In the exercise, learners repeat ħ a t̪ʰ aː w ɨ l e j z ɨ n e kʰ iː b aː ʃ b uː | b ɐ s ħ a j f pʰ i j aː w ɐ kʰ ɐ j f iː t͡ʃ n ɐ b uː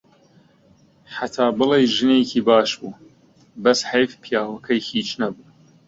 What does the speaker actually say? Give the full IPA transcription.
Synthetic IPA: ħ a t̪ʰ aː b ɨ l e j ʒ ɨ n e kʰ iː b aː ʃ b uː | b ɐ s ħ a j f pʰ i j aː w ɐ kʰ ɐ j h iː t͡ʃ n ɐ b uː